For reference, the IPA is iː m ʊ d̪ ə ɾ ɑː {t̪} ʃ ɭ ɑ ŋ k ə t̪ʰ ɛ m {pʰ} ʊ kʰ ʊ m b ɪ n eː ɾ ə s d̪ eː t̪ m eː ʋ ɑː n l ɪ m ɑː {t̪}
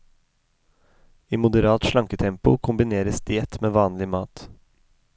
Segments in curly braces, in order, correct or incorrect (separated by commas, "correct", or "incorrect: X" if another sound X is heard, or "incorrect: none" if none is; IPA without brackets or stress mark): correct, incorrect: p, correct